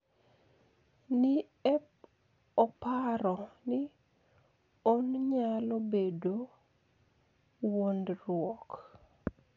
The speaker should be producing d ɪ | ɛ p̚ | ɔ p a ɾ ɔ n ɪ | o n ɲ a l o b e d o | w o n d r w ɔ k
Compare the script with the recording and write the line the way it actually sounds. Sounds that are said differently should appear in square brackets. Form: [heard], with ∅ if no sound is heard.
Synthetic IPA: [n] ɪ | ɛ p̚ | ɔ p a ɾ ɔ n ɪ | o n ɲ a l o b e d o | w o n d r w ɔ k